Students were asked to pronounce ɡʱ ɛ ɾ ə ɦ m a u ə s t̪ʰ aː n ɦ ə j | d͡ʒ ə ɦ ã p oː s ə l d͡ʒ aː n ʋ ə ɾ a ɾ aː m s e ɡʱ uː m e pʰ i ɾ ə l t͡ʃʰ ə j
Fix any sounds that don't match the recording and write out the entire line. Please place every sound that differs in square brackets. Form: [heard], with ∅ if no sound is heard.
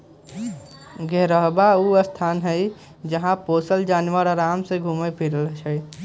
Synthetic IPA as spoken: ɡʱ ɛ ɾ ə ɦ [b] a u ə s t̪ʰ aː n ɦ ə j | d͡ʒ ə ɦ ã p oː s ə l d͡ʒ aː n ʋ ə ɾ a ɾ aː m s e ɡʱ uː m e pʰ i ɾ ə l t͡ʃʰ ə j